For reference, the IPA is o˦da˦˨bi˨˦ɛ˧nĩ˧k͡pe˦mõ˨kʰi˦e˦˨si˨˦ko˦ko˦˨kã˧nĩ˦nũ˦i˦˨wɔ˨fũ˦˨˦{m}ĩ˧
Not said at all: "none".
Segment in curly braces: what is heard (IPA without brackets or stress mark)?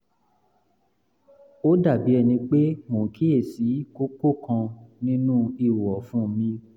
m